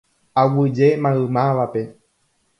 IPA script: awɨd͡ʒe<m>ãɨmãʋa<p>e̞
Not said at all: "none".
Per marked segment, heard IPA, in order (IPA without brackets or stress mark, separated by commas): m, p